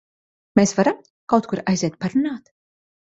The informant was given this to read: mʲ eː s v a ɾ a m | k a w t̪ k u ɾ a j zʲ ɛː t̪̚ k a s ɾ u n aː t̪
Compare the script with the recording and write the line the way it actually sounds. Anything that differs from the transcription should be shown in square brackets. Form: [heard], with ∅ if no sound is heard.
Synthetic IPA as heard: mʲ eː s v a ɾ a m | k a w t̪ k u ɾ a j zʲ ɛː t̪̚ [p] a [∅] ɾ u n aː t̪